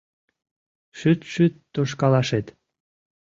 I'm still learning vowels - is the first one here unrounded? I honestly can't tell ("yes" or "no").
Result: no